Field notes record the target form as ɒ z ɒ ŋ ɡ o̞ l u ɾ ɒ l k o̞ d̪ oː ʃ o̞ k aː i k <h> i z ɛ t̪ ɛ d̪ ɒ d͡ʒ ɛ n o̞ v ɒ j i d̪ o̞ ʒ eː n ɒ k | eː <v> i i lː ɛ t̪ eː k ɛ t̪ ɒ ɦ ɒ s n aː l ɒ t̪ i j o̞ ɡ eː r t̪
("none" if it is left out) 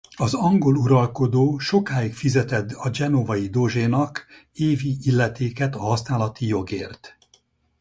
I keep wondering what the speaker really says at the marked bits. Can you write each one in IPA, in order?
f, v

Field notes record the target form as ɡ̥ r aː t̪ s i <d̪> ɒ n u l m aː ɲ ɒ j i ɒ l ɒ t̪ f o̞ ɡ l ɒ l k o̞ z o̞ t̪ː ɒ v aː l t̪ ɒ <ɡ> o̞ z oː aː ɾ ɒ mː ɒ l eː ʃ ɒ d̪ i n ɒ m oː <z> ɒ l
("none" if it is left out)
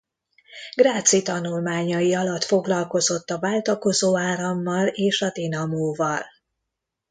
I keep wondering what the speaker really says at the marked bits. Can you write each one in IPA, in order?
t̪, k, v

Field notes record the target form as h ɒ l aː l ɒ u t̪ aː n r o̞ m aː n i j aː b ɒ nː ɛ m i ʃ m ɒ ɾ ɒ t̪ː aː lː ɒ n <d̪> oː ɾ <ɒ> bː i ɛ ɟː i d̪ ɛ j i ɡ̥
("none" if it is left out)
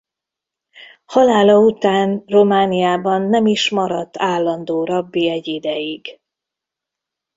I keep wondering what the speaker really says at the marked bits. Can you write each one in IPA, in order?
d̪, ɒ

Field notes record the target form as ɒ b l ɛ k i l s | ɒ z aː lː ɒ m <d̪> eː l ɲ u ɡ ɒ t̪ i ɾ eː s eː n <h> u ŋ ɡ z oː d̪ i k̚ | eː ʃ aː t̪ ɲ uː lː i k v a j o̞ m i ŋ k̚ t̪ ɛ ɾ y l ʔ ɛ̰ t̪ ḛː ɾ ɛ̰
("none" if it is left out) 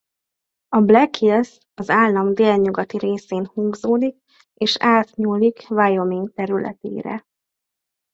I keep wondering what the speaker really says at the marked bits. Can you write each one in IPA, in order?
d̪, h

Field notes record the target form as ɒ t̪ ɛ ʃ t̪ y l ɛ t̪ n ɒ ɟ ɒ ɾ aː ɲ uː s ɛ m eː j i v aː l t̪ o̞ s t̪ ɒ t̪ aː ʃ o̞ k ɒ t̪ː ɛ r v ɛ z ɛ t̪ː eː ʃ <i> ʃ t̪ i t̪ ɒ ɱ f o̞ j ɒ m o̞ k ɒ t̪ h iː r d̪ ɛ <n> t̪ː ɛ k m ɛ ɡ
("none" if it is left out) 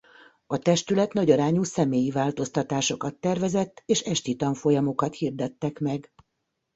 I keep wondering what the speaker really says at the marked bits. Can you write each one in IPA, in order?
ɛ, none

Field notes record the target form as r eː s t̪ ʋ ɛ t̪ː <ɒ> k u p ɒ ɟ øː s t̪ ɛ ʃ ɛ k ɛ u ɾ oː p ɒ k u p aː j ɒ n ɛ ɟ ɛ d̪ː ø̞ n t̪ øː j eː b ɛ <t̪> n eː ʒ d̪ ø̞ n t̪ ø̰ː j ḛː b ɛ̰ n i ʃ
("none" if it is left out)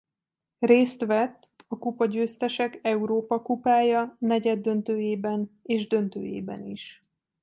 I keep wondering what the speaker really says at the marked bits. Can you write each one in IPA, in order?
ɒ, none

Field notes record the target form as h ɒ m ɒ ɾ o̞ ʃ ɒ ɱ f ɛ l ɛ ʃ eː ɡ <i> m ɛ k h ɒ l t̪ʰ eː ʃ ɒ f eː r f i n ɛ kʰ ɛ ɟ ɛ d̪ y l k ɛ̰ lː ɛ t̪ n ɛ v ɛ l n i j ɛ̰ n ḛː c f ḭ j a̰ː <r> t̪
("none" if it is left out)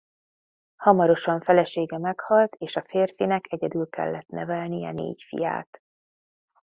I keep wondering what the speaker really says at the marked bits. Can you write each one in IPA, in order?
ɛ, none

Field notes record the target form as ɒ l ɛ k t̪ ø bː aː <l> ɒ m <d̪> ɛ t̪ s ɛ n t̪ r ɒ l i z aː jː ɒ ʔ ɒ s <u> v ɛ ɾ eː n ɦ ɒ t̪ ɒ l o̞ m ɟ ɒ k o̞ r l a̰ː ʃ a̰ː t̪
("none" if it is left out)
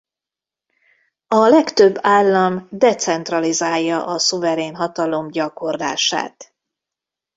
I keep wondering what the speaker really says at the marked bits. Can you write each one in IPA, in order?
lː, d̪, u

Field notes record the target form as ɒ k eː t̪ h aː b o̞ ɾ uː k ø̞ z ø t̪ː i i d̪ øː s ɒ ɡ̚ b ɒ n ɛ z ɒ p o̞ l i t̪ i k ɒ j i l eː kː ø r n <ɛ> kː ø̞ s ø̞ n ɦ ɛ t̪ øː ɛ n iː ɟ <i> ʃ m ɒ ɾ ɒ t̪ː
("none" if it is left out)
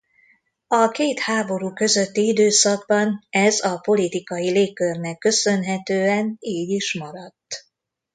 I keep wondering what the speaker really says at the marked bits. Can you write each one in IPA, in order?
ɛ, i

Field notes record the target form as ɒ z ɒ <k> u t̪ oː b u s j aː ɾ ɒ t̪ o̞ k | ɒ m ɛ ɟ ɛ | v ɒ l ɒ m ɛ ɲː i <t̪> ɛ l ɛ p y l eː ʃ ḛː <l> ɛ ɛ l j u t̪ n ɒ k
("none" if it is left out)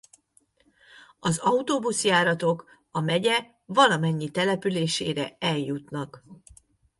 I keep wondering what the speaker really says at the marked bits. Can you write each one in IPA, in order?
none, t̪, ɾ

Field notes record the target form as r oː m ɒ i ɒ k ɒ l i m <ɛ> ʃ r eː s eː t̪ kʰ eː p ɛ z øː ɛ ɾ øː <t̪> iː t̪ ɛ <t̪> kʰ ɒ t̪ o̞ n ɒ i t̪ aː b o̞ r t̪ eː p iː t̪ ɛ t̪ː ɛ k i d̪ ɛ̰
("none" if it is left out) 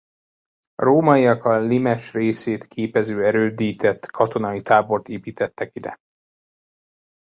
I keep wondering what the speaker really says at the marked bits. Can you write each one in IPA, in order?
ɛ, d̪, t̪

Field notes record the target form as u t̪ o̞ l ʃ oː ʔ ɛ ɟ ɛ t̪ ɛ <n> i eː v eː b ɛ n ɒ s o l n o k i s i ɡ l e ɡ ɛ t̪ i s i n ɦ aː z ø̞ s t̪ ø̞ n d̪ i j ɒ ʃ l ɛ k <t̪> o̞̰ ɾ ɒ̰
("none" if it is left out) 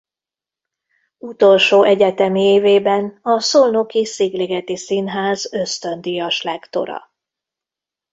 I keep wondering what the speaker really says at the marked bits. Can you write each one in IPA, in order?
m, t̪

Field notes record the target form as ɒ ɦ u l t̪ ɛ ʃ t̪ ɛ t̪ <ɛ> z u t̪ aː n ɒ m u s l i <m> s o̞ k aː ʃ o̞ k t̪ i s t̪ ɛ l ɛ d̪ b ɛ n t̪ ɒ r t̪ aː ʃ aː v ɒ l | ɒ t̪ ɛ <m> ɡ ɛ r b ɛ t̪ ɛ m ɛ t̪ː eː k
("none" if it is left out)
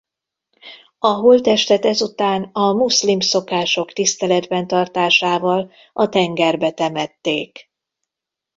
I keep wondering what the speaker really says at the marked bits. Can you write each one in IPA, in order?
ɛ, m, ŋ

